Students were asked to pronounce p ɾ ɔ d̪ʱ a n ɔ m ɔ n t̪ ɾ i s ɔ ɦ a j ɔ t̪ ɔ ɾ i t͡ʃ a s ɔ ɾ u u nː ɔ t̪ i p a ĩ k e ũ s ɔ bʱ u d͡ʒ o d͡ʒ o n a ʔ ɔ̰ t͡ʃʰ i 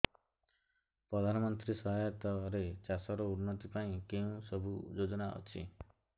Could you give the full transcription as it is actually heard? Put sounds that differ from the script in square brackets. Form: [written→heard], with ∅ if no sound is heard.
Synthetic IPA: p ɾ ɔ d̪ʱ a n ɔ m ɔ n t̪ ɾ i s ɔ ɦ a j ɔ t̪ ɔ ɾ [i→e] t͡ʃ a s ɔ ɾ [u→ɔ] u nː ɔ t̪ i p a ĩ k e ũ s ɔ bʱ u d͡ʒ o d͡ʒ [o→ɔ] n a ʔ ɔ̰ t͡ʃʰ i